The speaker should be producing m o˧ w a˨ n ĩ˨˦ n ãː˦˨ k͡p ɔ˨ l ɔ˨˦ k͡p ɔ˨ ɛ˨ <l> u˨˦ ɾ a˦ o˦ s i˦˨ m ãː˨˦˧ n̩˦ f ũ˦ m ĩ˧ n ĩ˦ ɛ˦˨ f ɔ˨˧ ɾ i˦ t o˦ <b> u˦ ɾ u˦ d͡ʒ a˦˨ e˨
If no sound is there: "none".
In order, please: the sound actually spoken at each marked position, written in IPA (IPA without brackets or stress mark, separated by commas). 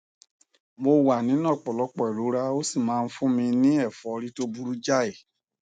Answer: ɾ, b